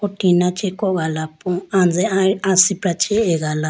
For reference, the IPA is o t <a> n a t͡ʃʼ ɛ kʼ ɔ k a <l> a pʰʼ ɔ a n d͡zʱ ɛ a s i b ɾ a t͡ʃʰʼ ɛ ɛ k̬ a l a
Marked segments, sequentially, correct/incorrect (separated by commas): incorrect, correct